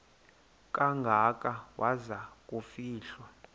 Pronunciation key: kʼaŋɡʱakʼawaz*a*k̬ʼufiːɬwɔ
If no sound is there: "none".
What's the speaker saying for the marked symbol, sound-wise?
a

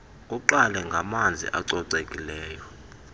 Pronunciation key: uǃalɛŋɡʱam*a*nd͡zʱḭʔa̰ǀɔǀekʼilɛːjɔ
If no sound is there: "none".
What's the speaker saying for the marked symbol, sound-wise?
a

